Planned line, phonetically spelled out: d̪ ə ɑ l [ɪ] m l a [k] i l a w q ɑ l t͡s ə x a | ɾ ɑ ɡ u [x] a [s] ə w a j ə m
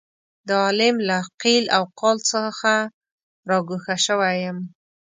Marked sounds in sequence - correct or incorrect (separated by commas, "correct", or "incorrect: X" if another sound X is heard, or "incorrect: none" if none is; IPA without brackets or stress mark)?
correct, incorrect: q, correct, incorrect: ʃ